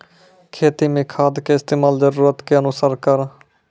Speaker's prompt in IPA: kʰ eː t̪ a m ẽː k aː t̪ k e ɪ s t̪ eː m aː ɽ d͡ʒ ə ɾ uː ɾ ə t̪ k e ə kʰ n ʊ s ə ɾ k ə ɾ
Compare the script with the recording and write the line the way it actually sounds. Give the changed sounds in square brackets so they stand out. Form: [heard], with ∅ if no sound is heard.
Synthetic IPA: kʰ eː t̪ [i] m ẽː [kʰ] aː [d̪] k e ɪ s t̪ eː m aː [l] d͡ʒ ə ɾ uː ɾ ə t̪ k e ə [∅] n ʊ s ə ɾ k ə ɾ